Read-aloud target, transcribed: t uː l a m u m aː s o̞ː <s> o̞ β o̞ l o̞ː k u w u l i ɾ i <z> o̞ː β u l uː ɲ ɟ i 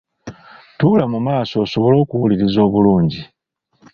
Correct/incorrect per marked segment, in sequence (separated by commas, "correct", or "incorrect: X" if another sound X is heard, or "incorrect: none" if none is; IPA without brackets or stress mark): correct, correct